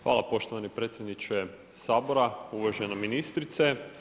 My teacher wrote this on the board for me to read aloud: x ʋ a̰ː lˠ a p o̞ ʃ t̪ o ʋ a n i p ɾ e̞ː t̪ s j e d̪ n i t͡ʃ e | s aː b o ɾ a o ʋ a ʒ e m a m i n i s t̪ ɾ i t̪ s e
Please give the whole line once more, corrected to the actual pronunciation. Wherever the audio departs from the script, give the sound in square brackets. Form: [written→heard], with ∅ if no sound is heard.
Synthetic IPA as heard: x ʋ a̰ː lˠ a p o̞ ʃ t̪ o ʋ a n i p ɾ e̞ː t̪ s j e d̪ n i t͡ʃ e | s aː b o ɾ a [o→u] ʋ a ʒ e [m→n] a m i n i s t̪ ɾ i t̪ s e